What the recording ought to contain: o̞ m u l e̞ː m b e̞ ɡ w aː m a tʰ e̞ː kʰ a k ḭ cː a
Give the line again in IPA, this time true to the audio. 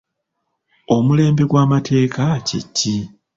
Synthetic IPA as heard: o̞ m u l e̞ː m b e̞ ɡ w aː m a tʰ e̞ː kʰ a c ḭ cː i